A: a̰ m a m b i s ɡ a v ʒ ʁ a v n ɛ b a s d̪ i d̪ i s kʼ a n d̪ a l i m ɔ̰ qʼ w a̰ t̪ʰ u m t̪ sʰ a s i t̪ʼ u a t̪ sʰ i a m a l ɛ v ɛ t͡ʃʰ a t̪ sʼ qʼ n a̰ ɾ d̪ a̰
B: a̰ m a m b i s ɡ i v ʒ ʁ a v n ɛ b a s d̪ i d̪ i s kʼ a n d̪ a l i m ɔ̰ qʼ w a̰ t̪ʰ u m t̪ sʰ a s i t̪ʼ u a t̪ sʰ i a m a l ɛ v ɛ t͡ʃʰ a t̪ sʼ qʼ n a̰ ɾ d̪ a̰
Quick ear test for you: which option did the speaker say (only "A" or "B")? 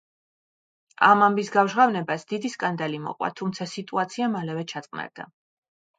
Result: A